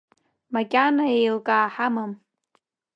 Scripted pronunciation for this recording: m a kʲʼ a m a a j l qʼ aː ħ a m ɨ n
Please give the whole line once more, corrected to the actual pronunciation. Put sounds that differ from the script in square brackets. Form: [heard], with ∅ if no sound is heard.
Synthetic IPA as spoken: m a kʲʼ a [n] a [e] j l [kʼ] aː ħ a m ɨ [m]